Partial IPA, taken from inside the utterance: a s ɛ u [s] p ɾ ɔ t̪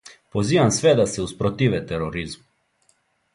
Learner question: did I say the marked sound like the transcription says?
yes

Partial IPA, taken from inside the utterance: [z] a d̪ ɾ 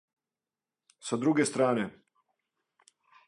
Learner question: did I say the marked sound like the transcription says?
no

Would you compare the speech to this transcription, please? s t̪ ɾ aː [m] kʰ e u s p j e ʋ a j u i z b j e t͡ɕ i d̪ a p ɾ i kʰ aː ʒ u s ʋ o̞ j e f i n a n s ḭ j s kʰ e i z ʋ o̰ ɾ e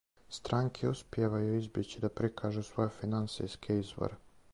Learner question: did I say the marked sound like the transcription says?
no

